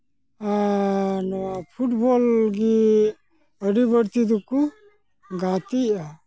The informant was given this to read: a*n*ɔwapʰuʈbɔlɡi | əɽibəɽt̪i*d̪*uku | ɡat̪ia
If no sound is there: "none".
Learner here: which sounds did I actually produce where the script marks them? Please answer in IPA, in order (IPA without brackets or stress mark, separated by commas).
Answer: n, d̪